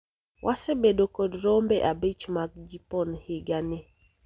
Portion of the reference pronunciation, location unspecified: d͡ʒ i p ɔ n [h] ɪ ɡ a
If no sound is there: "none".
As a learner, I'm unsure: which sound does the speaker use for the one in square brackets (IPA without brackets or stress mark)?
h